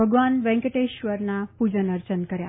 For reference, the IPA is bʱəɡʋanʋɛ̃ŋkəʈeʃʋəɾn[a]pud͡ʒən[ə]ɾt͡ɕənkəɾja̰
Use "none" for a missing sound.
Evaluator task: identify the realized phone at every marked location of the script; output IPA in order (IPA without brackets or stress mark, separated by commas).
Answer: a, ə